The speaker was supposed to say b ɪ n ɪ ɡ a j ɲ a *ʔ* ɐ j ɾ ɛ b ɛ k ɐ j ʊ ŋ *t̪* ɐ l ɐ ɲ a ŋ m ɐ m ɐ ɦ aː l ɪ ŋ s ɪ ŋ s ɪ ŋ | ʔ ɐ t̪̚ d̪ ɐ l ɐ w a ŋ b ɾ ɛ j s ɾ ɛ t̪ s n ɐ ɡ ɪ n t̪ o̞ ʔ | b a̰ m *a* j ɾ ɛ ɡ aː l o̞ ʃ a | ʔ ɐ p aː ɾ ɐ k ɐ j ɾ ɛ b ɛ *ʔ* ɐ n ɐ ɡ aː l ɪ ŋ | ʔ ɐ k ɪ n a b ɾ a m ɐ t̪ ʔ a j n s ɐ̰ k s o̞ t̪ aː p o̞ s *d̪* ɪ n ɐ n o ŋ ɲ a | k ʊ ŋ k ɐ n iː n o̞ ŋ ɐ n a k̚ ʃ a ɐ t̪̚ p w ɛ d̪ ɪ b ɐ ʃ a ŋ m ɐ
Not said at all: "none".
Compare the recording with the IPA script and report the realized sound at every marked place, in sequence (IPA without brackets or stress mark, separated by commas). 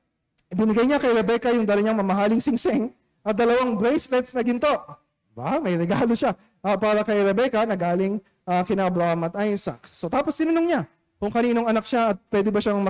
k, d̪, ɐ, k, t̪